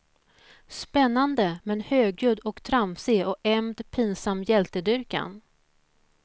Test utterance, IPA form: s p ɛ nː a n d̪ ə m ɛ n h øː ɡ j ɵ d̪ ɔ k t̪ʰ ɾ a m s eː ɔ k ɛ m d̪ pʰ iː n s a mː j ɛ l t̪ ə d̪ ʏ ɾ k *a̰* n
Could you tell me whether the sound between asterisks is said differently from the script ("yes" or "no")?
no